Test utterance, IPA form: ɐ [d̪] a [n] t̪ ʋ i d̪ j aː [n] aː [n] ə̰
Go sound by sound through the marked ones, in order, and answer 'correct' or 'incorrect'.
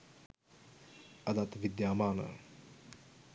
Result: correct, incorrect: none, incorrect: m, correct

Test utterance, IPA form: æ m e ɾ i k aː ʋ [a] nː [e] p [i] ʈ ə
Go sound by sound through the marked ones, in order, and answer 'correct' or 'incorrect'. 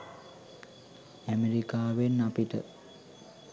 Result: incorrect: e, incorrect: a, correct

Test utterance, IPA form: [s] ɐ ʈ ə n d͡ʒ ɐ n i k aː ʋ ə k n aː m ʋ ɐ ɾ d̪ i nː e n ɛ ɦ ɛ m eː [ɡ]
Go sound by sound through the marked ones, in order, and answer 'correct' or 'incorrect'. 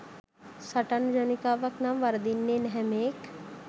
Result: correct, incorrect: k

